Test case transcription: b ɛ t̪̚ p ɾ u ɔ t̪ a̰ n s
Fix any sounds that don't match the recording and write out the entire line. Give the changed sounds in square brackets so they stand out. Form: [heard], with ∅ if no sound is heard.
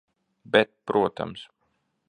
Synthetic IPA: b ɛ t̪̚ p ɾ u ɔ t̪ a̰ [m] s